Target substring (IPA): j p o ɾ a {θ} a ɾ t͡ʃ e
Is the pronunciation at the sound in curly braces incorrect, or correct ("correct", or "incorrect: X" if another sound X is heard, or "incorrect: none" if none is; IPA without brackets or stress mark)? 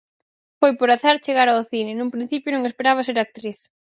correct